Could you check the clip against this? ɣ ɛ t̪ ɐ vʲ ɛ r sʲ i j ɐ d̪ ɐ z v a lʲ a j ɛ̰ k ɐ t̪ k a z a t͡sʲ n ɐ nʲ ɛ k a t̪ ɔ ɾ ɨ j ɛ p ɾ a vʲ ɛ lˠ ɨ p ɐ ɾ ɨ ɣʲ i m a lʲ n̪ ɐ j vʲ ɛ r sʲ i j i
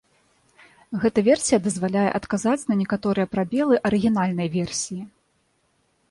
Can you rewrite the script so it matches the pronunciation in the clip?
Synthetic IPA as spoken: ɣ ɛ t̪ ɐ vʲ ɛ r sʲ i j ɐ d̪ ɐ z v a lʲ a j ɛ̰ ʔ ɐ t̪ k a z a t͡sʲ n ɐ nʲ ɛ k a t̪ ɔ ɾ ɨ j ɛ p ɾ a bʲ ɛ lˠ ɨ ʔ ɐ ɾ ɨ ɣʲ i n a lʲ n̪ ɐ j vʲ ɛ r sʲ i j i